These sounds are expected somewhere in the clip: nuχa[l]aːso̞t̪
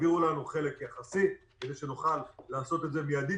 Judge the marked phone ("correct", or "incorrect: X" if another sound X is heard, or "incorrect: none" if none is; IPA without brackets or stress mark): incorrect: lː